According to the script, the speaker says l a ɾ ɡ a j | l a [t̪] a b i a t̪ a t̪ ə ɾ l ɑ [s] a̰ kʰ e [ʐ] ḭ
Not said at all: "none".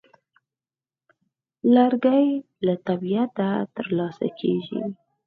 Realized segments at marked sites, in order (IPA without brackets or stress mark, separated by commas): t̪, s, ʒ